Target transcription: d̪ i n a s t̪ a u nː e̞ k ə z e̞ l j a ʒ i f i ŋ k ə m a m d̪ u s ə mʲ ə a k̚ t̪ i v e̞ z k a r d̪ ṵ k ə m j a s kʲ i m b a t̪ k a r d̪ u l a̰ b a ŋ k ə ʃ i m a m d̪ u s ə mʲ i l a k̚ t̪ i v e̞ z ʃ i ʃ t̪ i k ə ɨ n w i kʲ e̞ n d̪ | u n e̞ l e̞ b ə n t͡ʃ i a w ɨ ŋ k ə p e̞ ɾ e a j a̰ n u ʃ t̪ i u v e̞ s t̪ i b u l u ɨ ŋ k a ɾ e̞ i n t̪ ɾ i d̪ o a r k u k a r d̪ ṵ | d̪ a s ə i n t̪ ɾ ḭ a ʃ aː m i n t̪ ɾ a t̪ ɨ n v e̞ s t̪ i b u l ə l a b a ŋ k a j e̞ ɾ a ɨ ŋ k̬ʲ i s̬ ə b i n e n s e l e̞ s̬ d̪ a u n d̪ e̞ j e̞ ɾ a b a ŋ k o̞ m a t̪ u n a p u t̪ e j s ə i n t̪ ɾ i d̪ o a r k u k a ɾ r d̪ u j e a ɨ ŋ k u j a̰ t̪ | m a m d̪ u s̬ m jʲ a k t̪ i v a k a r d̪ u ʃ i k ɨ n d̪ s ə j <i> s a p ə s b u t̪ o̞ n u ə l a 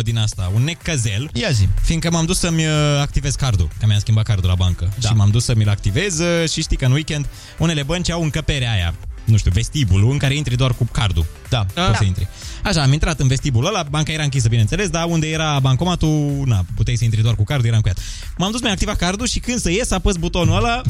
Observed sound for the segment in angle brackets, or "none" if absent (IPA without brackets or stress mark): e